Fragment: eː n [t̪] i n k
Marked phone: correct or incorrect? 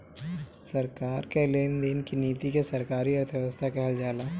incorrect: d̪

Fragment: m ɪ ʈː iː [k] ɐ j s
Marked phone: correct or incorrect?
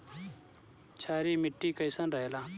correct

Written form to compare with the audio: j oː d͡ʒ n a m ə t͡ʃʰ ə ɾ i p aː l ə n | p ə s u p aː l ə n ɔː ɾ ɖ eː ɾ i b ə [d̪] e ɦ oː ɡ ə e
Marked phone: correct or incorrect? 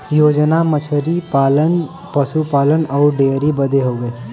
correct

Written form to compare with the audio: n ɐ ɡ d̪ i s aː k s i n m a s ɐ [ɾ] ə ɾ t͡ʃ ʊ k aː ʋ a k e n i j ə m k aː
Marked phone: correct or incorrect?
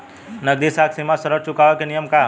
correct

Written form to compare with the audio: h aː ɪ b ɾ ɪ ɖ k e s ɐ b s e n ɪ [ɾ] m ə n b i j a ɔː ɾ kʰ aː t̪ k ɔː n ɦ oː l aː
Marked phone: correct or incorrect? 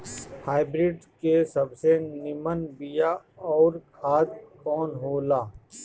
incorrect: none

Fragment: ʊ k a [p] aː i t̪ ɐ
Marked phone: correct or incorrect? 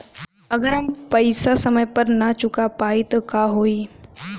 correct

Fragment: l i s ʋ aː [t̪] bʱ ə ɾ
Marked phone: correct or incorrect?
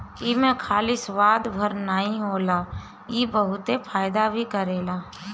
incorrect: d̪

